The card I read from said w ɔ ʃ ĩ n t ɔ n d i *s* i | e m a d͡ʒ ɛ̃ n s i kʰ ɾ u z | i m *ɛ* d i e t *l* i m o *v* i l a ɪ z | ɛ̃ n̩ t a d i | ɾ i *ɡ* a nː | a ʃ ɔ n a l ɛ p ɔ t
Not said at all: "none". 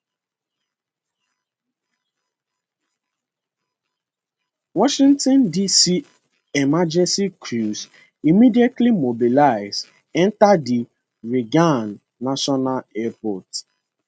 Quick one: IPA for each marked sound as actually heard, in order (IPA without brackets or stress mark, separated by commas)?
s, i, l, b, ɡ